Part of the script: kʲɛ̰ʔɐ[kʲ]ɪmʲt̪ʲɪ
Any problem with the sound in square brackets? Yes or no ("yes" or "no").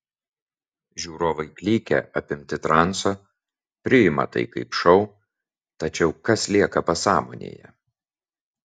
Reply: yes